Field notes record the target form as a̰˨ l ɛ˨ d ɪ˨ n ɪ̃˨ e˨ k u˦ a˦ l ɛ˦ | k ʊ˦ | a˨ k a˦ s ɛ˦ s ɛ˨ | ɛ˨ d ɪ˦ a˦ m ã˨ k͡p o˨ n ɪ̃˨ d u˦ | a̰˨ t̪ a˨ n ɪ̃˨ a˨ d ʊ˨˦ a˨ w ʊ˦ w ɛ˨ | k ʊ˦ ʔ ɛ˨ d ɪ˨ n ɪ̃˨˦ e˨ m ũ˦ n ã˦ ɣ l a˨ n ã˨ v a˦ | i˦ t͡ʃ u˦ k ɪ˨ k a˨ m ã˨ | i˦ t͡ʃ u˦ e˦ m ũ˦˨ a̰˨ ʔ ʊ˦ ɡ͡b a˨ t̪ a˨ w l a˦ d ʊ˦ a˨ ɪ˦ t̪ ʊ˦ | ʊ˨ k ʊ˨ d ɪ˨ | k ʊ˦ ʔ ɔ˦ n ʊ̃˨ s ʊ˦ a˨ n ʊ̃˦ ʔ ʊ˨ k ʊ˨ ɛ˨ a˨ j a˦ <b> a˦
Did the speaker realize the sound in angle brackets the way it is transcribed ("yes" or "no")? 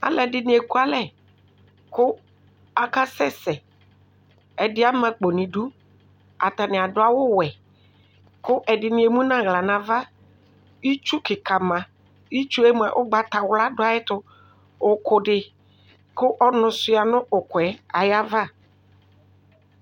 no